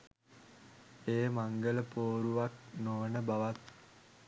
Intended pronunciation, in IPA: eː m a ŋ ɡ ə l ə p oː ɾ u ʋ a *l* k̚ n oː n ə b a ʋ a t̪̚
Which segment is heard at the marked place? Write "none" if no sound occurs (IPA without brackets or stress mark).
none